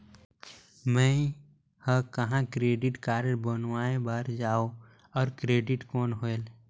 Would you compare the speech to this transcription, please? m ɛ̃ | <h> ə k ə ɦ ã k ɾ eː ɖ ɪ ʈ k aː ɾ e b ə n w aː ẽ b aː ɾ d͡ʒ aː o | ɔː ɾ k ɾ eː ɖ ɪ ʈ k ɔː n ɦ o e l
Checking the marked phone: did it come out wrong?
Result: no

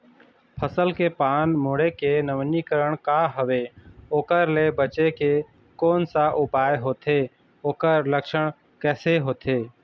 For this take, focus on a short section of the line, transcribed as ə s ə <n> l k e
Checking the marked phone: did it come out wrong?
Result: yes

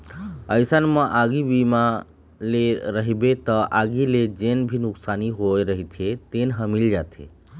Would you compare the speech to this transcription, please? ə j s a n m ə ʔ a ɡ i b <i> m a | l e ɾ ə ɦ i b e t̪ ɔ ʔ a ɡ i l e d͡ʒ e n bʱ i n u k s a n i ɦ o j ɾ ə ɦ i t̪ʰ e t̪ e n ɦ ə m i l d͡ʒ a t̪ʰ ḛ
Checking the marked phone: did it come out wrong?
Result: no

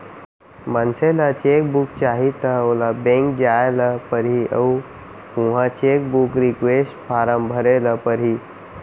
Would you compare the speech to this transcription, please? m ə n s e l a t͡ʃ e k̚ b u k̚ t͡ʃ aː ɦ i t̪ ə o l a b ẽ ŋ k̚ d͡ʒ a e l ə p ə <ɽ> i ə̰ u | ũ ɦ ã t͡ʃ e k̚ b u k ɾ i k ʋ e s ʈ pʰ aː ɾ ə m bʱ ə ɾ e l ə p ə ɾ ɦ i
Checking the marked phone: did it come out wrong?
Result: yes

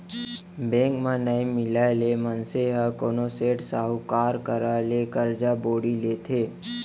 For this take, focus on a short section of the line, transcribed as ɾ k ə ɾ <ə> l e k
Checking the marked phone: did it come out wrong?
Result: yes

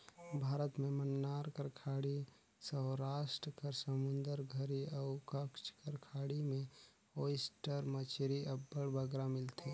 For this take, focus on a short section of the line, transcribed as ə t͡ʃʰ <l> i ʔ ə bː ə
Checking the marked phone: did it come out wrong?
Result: yes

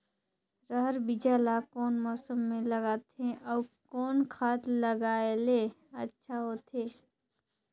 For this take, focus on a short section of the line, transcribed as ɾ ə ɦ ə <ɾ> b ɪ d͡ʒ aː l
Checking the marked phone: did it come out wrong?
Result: no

